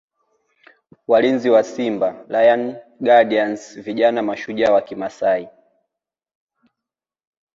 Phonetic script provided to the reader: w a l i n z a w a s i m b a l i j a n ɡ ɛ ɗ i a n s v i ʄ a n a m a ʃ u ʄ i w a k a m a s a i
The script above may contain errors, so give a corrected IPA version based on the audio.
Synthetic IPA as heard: w a l i n z i w a s i m b a l a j a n ɡ a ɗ i a n s v i ʄ a n a m a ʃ u ʄ a w a k i m a s a i